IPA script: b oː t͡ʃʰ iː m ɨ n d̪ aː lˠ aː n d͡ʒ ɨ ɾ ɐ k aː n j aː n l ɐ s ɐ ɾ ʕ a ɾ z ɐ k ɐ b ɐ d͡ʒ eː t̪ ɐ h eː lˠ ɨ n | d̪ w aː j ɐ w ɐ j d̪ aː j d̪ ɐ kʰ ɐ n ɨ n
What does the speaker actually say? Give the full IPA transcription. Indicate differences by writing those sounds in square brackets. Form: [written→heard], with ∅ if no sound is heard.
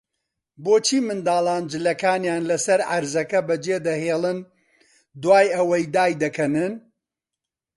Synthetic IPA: b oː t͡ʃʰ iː m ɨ n d̪ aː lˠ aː n d͡ʒ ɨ [ɾ→l] ɐ k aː n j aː n l ɐ s ɐ ɾ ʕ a ɾ z ɐ k ɐ b ɐ d͡ʒ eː [t̪→d̪] ɐ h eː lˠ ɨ n | d̪ w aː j ɐ w ɐ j d̪ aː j d̪ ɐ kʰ ɐ n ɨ n